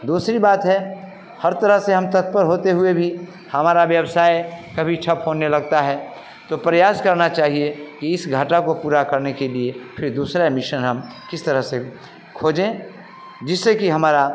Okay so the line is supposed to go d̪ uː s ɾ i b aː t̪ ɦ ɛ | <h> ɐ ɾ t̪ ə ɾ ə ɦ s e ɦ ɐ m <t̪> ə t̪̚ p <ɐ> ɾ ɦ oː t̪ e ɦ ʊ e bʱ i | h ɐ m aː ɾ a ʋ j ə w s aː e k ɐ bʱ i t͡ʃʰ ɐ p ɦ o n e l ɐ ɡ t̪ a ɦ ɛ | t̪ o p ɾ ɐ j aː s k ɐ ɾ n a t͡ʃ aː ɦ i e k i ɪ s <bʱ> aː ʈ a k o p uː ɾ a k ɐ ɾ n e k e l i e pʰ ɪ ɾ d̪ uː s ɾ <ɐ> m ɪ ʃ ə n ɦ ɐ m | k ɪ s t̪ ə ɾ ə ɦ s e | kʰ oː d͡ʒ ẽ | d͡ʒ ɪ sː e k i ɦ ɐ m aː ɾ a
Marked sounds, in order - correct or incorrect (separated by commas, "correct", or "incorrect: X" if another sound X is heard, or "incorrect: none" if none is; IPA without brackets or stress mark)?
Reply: correct, correct, incorrect: ə, incorrect: ɡʱ, incorrect: a